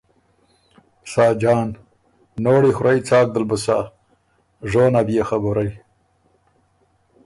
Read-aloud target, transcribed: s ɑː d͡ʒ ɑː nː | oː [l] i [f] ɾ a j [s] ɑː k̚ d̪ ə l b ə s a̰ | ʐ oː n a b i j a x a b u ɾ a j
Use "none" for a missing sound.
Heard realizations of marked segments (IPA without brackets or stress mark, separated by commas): ɽ, x, t͡s